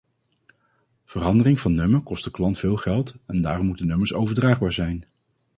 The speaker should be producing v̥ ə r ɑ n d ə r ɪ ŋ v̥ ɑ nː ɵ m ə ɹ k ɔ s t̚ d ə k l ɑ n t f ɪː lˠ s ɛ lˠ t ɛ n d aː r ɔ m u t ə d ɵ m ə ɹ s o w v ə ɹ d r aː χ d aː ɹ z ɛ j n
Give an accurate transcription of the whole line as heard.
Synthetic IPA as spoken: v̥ ə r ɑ n d ə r ɪ ŋ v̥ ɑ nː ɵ m ə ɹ k ɔ s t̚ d ə k l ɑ n t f ɪː lˠ χ ɛ lˠ t ɛ n d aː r ɔ m u t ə n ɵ m ə ɹ s o w v ə ɹ d r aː χ b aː ɹ z ɛ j n